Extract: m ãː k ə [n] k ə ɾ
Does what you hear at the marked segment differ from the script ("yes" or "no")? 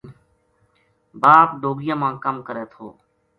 yes